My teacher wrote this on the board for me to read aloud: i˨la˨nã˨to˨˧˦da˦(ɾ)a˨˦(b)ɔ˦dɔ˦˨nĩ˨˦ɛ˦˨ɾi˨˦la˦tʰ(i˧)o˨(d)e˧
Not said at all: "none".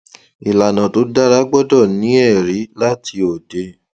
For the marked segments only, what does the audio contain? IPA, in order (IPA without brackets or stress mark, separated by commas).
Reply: ɾ, ɡ͡b, i˧, d